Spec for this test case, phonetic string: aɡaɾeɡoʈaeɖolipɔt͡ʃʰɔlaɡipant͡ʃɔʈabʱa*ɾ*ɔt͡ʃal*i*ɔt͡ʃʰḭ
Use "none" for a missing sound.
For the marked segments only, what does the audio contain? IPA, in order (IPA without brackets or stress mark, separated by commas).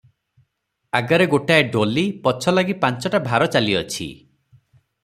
ɾ, i